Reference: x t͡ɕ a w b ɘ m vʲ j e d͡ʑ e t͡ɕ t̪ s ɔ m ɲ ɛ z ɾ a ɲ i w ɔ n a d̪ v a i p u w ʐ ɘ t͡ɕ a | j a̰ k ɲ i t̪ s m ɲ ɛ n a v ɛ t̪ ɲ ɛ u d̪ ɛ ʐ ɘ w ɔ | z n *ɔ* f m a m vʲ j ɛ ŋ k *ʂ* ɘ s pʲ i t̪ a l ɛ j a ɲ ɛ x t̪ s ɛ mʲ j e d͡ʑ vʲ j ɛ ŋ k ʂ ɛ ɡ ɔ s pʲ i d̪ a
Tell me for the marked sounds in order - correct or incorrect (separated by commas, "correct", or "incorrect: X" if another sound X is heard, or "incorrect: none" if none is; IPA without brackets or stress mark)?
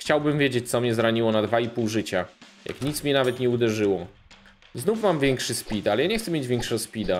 incorrect: u, correct